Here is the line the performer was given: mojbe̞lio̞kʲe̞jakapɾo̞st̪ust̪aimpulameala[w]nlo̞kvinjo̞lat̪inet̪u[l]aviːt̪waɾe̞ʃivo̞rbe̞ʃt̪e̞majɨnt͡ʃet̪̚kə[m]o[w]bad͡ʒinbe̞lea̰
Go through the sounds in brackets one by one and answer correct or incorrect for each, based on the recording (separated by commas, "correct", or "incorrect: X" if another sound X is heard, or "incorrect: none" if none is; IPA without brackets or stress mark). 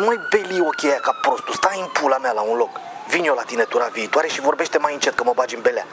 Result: incorrect: u, incorrect: ɾ, correct, incorrect: none